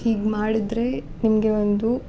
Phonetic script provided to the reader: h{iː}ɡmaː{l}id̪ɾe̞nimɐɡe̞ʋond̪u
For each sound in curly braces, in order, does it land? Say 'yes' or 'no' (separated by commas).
yes, no